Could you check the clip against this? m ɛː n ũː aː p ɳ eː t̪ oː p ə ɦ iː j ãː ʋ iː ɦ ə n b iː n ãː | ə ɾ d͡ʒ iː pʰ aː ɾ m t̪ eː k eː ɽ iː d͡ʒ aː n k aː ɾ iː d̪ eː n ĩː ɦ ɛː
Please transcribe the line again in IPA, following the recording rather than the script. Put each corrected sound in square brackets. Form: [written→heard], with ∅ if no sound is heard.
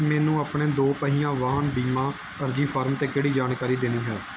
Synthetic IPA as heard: m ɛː n ũː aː p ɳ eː [t̪→d̪] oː p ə ɦ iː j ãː ʋ [iː→aː] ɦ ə n b iː [n→m] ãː | ə ɾ d͡ʒ iː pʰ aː ɾ m t̪ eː k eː ɽ iː d͡ʒ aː n k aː ɾ iː d̪ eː n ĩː ɦ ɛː